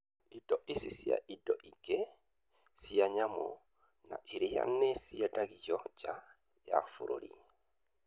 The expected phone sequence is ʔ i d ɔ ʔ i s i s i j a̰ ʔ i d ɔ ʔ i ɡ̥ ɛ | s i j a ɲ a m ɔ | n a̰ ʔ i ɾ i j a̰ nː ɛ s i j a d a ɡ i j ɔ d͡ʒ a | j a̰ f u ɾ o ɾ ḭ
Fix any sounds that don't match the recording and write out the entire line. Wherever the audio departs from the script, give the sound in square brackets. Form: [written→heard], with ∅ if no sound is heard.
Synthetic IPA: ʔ i d ɔ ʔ i s i s i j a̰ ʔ i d ɔ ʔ i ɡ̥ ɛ | s i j a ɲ a m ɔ | n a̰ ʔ i ɾ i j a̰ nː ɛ s i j a d a ɡ i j ɔ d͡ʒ a | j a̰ f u ɾ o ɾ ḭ